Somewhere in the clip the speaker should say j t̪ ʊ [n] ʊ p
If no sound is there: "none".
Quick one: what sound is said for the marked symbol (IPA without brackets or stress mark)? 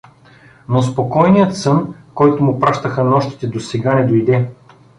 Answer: m